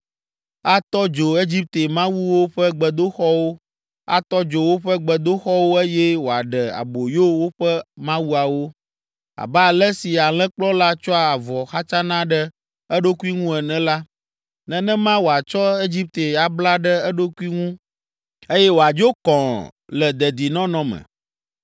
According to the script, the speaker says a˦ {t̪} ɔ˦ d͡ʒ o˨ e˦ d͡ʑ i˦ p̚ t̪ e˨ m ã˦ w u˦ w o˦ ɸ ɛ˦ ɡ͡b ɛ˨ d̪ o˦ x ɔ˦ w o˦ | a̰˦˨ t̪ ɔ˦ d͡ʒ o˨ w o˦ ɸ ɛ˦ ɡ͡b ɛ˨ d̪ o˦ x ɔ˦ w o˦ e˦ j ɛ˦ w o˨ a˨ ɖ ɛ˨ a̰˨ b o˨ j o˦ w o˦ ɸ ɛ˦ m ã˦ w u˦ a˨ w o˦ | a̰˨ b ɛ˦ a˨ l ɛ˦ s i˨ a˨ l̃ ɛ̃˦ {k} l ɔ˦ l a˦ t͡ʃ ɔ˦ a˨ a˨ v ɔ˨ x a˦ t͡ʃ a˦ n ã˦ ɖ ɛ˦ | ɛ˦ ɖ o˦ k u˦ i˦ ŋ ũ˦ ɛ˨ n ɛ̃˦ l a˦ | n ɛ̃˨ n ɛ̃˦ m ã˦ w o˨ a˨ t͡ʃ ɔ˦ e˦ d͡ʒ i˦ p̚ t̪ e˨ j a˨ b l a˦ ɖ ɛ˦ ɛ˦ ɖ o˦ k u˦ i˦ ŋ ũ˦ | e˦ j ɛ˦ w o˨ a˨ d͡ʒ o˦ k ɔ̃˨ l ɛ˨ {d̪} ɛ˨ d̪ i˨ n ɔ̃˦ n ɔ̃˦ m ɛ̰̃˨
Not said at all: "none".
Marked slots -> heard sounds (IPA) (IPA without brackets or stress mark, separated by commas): t̪, k͡p, d̪